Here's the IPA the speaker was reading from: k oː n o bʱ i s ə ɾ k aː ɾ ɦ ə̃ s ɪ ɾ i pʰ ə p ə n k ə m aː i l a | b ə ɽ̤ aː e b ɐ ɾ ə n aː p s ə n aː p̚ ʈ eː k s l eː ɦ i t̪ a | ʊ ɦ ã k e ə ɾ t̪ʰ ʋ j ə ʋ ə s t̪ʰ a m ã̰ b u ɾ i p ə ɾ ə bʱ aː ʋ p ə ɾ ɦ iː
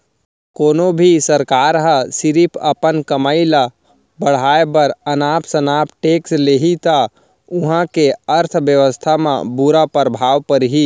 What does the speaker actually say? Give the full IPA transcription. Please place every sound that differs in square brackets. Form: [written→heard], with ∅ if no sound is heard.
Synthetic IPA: k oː n o bʱ i s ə ɾ k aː ɾ ɦ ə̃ s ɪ ɾ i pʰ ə p ə n k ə m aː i l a | b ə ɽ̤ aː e b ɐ ɾ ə n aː p s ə n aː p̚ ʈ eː k s l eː ɦ i t̪ a | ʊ ɦ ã k e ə ɾ t̪ʰ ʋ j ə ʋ ə s t̪ʰ a m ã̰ b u ɾ [i→a] p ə ɾ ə bʱ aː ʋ p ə ɾ ɦ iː